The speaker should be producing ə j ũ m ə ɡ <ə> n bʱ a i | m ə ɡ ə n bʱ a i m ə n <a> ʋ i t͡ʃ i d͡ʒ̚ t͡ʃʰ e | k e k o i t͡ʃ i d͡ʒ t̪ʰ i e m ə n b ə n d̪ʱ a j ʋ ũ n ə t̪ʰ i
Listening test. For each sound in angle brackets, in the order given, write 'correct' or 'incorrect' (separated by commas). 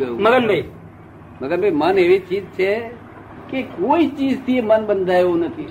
correct, incorrect